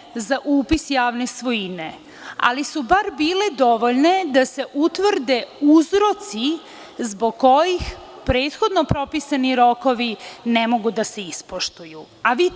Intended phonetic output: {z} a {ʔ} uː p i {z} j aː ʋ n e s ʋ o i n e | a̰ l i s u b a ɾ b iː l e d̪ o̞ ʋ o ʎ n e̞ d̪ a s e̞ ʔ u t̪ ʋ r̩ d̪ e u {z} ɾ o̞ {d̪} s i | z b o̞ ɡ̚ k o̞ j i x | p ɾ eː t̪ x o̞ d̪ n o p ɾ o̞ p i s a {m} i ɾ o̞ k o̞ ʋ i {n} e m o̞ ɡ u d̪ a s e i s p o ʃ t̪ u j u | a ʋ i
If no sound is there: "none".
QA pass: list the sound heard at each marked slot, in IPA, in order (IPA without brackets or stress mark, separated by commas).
z, ʔ, s, z, t̪, n, n